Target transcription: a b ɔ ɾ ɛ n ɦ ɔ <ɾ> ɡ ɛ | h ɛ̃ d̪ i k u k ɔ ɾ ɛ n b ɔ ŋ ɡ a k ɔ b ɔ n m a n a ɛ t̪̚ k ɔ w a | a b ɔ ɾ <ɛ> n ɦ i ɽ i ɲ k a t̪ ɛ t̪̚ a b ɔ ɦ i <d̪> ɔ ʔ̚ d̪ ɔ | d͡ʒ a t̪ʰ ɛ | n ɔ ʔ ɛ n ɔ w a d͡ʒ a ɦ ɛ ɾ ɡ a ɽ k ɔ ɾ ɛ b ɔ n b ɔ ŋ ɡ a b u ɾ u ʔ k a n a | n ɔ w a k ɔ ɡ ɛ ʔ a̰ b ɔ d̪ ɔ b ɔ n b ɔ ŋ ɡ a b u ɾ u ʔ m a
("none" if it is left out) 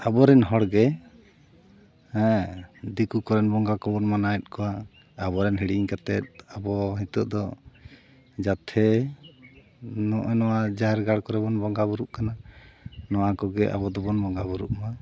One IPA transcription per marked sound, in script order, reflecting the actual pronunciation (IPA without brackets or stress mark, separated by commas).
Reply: ɽ, ɛ, t̪